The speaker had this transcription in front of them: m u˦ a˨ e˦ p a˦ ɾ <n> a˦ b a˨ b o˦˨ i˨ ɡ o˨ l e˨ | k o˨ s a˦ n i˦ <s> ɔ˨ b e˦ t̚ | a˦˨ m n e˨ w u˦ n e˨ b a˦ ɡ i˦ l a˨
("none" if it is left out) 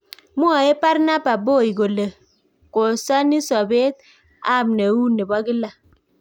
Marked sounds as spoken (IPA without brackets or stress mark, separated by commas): n, s